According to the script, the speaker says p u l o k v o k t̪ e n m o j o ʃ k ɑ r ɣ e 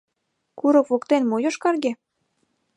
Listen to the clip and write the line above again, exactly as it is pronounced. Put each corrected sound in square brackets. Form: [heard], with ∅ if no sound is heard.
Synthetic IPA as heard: [k] u [ɾ] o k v o k t̪ e n m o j o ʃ k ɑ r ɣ e